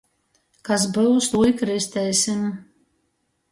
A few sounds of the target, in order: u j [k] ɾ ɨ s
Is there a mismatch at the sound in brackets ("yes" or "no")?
no